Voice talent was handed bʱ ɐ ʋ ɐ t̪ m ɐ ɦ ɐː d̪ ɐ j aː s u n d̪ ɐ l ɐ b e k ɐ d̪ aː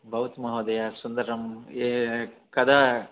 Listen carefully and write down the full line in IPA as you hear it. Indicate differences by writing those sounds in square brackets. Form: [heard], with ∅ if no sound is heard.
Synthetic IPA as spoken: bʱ ɐ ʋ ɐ t̪ m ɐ ɦ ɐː d̪ ɐ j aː s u n d̪ ɐ [ɾ] ɐ [m] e k ɐ d̪ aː

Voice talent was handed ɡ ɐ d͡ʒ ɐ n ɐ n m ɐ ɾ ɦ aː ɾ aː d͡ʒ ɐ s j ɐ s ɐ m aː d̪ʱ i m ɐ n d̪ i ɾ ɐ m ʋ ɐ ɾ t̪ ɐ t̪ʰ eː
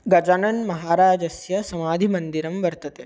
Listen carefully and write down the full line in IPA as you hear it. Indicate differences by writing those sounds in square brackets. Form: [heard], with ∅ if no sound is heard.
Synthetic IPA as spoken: ɡ ɐ d͡ʒ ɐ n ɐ n m ɐ [∅] ɦ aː ɾ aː d͡ʒ ɐ s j ɐ s ɐ m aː d̪ʱ i m ɐ n d̪ i ɾ ɐ m ʋ ɐ ɾ t̪ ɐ [t̪] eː

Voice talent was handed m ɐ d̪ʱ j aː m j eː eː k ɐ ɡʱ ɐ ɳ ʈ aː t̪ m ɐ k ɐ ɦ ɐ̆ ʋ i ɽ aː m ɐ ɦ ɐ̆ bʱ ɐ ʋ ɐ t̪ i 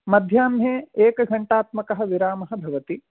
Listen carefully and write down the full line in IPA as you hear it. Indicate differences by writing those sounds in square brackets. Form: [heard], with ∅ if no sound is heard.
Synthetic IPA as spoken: m ɐ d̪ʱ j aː m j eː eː k ɐ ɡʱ ɐ ɳ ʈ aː t̪ m ɐ k ɐ ɦ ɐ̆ ʋ i [ɾ] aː m ɐ ɦ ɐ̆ bʱ ɐ ʋ ɐ t̪ i

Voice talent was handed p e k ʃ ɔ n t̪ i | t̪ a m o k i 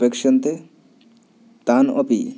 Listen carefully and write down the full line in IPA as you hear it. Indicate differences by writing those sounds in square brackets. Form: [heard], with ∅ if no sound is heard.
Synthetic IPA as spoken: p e k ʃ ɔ n t̪ [e] | t̪ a [n] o [p] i

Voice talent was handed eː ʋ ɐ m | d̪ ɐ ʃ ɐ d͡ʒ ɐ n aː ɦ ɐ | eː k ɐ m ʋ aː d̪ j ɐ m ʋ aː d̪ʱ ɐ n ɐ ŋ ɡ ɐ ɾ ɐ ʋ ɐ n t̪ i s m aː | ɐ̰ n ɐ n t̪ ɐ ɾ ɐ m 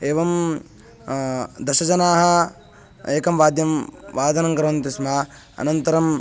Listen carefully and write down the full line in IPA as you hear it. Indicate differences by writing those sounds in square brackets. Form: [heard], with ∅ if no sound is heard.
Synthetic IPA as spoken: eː ʋ ɐ m | d̪ ɐ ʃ ɐ d͡ʒ ɐ n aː ɦ ɐ | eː k ɐ m ʋ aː d̪ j ɐ m ʋ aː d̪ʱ ɐ n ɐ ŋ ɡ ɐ ɾ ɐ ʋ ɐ n t̪ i s m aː | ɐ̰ n ɐ n t̪ ɐ ɾ ɐ m

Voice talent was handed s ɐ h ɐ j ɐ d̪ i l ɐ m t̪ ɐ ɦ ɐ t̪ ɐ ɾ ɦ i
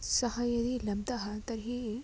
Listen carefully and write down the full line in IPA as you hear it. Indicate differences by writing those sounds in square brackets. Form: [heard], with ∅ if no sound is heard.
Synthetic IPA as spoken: s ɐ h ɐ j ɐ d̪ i l ɐ m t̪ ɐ ɦ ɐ t̪ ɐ ɾ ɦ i

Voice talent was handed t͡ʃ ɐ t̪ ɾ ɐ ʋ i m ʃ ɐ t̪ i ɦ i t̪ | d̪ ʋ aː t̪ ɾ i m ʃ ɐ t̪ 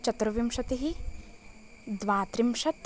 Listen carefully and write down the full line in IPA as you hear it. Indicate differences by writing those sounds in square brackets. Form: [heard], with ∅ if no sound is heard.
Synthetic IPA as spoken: t͡ʃ ɐ t̪ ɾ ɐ ʋ i m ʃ ɐ t̪ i ɦ i [∅] | d̪ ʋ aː t̪ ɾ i m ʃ ɐ t̪

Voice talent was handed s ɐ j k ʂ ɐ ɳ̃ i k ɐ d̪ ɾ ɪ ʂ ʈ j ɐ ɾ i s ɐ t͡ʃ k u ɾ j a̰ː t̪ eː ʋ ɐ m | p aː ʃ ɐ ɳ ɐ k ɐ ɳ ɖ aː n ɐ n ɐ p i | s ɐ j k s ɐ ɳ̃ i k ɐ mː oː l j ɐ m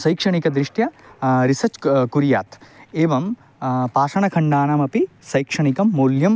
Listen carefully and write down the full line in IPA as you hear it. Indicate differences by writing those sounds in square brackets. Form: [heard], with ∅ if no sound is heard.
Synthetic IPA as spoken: s ɐ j k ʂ ɐ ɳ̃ i k ɐ d̪ ɾ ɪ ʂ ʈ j ɐ ɾ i s ɐ t͡ʃ k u ɾ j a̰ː t̪ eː ʋ ɐ m | p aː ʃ ɐ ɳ ɐ [kʰ] ɐ ɳ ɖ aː n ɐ [m] ɐ p i | s ɐ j k [ʂ] ɐ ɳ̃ i k ɐ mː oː l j ɐ m

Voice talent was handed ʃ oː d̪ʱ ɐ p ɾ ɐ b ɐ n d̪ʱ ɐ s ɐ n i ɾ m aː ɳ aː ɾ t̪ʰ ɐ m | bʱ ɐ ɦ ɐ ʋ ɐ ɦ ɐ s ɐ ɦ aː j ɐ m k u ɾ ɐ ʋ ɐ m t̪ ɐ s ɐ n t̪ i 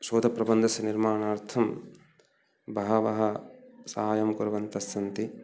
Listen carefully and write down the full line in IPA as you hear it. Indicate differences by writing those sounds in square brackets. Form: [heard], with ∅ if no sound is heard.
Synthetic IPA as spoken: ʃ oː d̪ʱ ɐ p ɾ ɐ b ɐ n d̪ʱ ɐ s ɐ n i ɾ m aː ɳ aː ɾ t̪ʰ ɐ m | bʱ ɐ ɦ ɐ ʋ ɐ ɦ ɐ s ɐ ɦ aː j ɐ m k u ɾ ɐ ʋ ɐ [n] t̪ ɐ s ɐ n t̪ i

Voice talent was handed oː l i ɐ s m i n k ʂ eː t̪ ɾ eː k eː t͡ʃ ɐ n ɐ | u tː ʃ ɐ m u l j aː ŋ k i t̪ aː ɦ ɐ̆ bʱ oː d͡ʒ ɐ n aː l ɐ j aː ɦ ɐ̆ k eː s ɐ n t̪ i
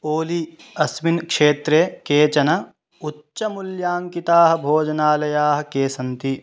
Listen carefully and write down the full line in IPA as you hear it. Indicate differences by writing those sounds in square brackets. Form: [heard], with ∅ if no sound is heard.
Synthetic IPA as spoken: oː l i ɐ s m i n k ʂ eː t̪ ɾ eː k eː t͡ʃ ɐ n ɐ | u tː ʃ ɐ m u l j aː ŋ k i t̪ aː ɦ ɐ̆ bʱ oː d͡ʒ ɐ n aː l ɐ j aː ɦ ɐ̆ k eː s ɐ n t̪ i

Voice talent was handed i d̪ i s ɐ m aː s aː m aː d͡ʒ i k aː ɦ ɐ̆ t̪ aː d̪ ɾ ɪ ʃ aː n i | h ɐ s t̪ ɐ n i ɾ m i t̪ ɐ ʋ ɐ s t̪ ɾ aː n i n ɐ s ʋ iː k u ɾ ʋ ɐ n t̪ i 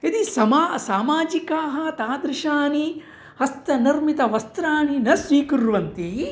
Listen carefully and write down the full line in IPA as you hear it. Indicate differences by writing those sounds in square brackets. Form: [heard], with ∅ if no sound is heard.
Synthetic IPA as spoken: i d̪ i s ɐ m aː s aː m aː d͡ʒ i k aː ɦ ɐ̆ t̪ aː d̪ ɾ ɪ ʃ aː n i | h ɐ s t̪ ɐ n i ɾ m i t̪ ɐ ʋ ɐ s t̪ ɾ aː n i n ɐ s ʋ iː k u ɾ ʋ ɐ n t̪ i

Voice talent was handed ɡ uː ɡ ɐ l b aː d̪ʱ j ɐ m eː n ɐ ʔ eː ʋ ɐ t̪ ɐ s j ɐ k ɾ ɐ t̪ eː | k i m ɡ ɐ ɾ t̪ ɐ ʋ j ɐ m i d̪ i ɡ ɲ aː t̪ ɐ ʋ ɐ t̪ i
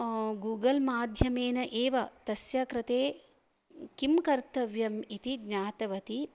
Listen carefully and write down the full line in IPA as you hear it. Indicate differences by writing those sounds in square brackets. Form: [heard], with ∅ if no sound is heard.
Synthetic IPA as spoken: ɡ uː ɡ ɐ l [m] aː d̪ʱ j ɐ m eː n ɐ ʔ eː ʋ ɐ t̪ ɐ s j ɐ k ɾ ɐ t̪ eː | k i m [k] ɐ ɾ t̪ ɐ ʋ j ɐ m i [t̪] i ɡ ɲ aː t̪ ɐ ʋ ɐ t̪ i

